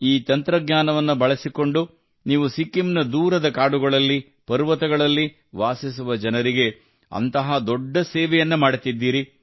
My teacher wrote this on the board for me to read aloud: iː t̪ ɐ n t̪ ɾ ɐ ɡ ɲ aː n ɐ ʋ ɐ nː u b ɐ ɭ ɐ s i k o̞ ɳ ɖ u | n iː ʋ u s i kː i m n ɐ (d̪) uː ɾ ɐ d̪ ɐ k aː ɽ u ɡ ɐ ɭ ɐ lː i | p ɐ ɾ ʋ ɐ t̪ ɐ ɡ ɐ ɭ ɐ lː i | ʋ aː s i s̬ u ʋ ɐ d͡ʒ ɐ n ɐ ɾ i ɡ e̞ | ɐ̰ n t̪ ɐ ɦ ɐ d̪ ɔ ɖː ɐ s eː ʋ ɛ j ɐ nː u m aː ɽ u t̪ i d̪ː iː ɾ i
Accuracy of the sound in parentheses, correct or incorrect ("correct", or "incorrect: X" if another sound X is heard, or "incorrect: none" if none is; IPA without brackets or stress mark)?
correct